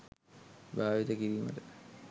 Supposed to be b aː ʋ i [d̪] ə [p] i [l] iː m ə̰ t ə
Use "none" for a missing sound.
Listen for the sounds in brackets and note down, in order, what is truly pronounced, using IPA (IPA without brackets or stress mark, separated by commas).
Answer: t̪, k, ɾ